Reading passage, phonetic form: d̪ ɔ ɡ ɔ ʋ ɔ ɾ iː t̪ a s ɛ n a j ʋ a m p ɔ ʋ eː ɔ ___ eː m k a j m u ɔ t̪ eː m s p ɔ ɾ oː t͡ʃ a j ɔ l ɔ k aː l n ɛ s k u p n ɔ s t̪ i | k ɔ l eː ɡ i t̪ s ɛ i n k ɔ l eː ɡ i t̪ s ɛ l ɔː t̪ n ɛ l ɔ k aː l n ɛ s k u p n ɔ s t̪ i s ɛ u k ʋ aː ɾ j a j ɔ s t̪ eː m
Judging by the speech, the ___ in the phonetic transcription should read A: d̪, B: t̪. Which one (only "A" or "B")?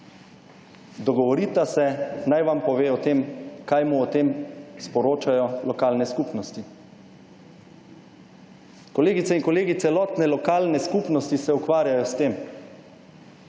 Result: B